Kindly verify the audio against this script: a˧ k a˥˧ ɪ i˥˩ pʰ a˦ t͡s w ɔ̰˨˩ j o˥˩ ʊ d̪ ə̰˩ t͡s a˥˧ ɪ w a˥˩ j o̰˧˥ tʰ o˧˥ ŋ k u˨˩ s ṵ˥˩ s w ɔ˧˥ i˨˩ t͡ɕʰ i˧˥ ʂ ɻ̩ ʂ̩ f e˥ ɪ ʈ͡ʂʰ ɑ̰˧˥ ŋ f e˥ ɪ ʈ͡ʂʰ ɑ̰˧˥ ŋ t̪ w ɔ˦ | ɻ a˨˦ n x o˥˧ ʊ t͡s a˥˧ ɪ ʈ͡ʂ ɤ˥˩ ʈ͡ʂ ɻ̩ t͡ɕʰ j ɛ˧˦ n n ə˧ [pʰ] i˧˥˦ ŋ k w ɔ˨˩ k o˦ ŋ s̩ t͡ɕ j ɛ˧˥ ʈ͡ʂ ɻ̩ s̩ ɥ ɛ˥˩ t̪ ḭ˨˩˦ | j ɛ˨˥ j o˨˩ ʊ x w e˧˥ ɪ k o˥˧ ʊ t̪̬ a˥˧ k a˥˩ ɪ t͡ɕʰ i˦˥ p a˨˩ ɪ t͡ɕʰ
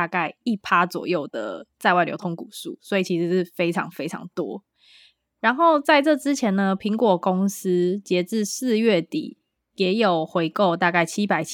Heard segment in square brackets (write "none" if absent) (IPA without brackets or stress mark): pʰ